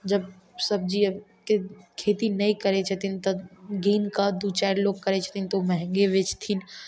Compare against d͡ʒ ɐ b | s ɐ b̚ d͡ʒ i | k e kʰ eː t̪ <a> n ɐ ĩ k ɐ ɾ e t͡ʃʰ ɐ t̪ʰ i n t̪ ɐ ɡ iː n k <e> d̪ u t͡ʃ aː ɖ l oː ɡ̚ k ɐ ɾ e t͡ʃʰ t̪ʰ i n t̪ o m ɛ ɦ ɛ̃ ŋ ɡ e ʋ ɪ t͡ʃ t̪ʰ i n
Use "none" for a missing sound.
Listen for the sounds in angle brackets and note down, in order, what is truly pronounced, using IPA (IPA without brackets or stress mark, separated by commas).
i, a